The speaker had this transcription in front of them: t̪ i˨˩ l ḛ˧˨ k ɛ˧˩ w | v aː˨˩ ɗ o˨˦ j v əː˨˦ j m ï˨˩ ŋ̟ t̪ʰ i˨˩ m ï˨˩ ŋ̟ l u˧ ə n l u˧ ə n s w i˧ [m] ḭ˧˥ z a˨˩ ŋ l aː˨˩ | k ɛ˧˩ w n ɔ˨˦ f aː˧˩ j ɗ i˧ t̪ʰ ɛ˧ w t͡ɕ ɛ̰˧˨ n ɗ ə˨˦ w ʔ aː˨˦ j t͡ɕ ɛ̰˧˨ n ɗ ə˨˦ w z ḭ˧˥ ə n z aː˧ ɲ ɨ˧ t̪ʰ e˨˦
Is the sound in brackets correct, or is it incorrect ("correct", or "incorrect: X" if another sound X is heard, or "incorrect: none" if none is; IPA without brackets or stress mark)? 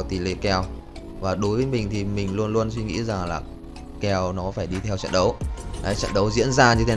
incorrect: ŋ